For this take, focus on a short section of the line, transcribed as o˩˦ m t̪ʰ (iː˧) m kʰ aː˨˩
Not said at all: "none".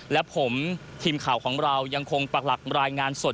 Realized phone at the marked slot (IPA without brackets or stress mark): iː˧